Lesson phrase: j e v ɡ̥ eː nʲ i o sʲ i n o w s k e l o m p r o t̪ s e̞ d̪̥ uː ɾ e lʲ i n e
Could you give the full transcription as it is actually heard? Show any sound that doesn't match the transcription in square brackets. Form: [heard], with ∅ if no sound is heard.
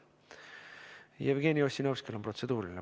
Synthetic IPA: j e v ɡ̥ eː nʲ i o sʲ i n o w s k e l o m p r o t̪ s e̞ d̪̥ uː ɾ [i] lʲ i n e

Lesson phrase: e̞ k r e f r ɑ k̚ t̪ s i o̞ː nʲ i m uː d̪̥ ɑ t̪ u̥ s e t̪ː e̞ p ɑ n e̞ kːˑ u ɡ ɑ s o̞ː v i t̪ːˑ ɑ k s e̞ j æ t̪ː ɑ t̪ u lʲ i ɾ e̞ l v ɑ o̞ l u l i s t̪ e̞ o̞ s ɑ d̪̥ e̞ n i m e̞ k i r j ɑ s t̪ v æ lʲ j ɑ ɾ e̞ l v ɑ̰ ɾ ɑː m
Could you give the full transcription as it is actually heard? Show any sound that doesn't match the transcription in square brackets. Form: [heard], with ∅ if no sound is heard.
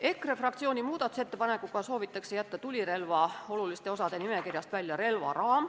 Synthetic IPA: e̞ k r e f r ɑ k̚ t̪ s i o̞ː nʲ i m uː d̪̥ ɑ t̪ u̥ s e t̪ː e̞ p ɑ n e̞ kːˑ u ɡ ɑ s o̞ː v i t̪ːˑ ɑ k s e̞ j æ t̪ː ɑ t̪ u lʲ i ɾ e̞ l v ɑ o̞ l u l i s t̪ e̞ o̞ s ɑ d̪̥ e̞ n i m e̞ k i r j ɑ s t̪ v æ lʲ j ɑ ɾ e̞ l v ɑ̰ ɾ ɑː m

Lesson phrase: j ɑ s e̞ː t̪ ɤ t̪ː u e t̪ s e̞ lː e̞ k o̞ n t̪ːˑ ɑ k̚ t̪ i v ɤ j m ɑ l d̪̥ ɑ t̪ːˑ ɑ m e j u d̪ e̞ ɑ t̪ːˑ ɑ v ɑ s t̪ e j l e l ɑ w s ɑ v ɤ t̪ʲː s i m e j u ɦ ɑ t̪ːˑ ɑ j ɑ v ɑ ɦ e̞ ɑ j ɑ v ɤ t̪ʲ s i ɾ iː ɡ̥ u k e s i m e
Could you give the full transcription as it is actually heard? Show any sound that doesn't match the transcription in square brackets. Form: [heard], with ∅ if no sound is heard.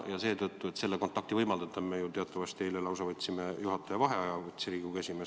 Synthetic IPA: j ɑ s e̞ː t̪ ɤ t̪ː u e t̪ s e̞ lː e̞ k o̞ n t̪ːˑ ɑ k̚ t̪ i v ɤ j m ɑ l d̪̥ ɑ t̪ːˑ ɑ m e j u [t̪] e̞ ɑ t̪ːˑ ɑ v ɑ s t̪ e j l e l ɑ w s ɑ v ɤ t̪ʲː s i m e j u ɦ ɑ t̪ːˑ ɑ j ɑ v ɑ ɦ e̞ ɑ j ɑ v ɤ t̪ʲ s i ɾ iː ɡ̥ u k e s i m e

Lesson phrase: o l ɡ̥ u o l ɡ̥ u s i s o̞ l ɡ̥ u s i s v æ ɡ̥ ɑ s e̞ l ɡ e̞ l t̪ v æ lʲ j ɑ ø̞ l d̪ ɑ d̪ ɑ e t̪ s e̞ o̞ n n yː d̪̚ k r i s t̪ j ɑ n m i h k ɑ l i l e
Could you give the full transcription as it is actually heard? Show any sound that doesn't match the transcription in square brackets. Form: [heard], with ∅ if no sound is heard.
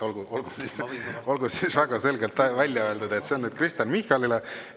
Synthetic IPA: o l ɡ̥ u o l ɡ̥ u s i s o̞ l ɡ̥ u s i s v æ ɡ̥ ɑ s e̞ l ɡ e̞ l t̪ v æ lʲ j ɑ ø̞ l d̪ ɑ d̪ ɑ e t̪ s e̞ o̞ n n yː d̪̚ k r i s t̪ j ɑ n m i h k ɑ l i l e

